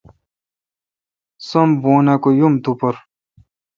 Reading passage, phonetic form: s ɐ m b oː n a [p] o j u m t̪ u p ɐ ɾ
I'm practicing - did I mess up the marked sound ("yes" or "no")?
yes